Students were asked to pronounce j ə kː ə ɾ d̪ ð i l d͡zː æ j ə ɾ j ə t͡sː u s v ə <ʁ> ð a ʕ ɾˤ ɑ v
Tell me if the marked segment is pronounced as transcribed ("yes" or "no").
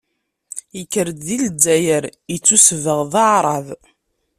yes